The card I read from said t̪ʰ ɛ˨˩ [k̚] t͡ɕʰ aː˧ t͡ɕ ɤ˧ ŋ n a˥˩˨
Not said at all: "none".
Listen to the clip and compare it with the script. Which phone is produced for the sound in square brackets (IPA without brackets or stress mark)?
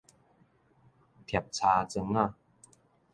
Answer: p̚